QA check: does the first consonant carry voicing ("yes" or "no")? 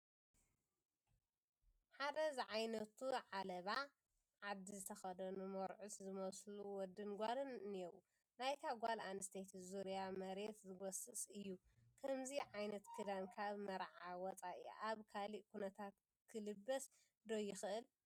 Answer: no